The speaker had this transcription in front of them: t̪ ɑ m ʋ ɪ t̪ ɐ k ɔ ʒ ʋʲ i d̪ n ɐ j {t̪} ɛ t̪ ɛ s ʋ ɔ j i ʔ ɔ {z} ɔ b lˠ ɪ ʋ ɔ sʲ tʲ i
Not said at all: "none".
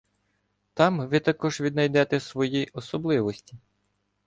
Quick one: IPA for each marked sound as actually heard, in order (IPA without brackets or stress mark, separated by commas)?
d̪, s